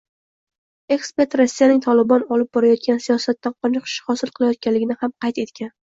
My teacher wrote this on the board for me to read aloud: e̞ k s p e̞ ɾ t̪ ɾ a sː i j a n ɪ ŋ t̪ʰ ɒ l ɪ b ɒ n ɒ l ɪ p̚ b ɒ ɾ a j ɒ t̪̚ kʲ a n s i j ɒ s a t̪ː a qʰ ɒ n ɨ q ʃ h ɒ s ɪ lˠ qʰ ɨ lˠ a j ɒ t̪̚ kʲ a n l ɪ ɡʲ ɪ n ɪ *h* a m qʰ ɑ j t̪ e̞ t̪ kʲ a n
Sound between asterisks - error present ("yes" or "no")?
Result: no